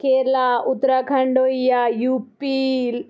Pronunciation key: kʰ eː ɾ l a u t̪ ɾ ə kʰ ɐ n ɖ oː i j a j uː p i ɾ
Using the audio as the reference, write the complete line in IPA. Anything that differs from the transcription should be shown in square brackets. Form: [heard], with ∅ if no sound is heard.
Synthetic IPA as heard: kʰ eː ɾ l a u t̪ ɾ [a] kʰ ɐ [ɳ] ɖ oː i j a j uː p i [l]